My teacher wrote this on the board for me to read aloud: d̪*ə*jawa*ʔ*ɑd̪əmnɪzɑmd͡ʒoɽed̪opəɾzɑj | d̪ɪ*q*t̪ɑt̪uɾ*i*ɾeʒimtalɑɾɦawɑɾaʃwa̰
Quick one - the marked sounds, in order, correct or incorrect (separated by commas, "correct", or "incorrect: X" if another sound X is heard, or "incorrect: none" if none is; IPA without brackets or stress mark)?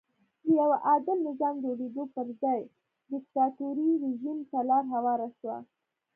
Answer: correct, correct, incorrect: k, correct